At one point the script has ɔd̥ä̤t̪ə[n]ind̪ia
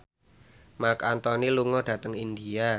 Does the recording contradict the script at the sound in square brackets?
yes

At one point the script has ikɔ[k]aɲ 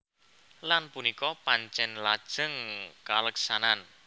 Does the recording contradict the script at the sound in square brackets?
yes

